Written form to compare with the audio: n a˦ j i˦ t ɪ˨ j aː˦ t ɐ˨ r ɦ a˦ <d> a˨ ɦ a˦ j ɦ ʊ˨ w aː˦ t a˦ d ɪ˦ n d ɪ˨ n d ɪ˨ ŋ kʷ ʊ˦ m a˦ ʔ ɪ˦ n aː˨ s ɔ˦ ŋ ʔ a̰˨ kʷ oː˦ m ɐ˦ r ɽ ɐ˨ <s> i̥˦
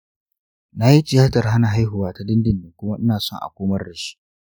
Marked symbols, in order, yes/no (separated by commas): no, no